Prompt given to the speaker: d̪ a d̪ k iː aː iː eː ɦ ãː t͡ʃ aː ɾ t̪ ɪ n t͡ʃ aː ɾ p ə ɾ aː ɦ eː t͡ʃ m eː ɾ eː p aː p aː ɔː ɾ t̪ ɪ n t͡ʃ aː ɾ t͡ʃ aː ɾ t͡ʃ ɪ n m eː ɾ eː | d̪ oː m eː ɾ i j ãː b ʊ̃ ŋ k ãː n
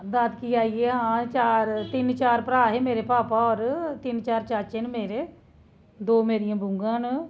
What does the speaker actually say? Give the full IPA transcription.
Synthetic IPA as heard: d̪ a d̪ k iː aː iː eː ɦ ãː t͡ʃ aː ɾ t̪ ɪ n t͡ʃ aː ɾ p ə ɾ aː ɦ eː m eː ɾ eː p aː p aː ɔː ɾ t̪ ɪ n t͡ʃ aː ɾ t͡ʃ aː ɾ t͡ʃ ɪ n m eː ɾ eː | d̪ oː m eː ɾ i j ãː b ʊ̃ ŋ ɡ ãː n